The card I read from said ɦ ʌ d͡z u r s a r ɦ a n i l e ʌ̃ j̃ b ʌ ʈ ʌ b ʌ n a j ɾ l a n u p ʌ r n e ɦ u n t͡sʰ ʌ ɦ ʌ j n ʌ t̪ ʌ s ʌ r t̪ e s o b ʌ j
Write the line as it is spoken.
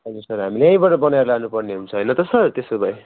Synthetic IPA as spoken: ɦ ʌ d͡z u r s ʌ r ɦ a m i l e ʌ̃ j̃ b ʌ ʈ ʌ b ʌ n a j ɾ l a n u p ʌ r n e ɦ u n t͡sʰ ʌ ɦ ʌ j n ʌ t̪ ʌ s ʌ r t̪ e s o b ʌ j